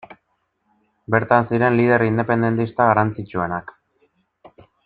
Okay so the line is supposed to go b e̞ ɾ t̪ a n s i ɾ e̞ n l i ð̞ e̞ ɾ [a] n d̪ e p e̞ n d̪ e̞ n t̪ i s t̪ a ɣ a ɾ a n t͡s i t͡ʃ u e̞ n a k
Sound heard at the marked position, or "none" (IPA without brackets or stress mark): i